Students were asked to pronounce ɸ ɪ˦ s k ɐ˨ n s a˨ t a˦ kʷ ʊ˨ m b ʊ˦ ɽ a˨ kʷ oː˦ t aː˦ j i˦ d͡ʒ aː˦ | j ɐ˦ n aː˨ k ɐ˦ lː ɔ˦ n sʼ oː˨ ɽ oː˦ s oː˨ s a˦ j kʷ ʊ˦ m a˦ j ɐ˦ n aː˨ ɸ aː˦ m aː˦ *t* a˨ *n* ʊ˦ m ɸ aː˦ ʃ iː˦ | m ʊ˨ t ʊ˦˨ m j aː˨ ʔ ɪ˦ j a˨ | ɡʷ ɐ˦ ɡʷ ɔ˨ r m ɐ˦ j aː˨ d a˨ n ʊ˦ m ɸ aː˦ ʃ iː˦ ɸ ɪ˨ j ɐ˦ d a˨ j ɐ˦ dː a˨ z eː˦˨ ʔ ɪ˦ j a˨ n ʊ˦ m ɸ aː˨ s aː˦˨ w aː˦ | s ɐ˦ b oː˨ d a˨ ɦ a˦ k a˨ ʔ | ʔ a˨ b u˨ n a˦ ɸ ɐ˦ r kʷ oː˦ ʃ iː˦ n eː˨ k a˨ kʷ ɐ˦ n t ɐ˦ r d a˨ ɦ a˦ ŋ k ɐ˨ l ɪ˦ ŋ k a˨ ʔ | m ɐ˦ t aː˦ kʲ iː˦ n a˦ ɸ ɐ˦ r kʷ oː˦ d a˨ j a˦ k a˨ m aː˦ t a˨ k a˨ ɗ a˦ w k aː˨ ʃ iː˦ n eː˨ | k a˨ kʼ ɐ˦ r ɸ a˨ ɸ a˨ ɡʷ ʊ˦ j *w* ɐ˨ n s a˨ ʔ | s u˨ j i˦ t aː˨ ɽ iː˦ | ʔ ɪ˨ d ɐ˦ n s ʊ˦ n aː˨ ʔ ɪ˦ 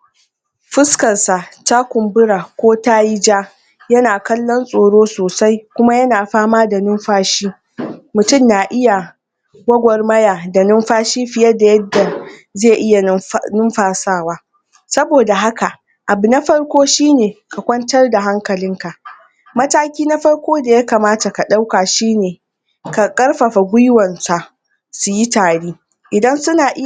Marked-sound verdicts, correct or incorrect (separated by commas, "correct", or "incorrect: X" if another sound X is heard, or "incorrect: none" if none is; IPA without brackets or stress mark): incorrect: d, correct, correct